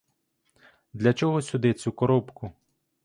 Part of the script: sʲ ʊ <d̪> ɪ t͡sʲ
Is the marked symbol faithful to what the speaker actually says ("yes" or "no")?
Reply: yes